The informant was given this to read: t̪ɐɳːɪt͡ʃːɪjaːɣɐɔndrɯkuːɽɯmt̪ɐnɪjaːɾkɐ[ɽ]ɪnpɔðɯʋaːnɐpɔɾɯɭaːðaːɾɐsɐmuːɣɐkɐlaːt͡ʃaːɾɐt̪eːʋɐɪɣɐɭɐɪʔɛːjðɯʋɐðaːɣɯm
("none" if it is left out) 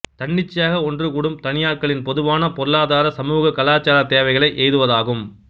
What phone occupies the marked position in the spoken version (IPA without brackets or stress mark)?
ɭ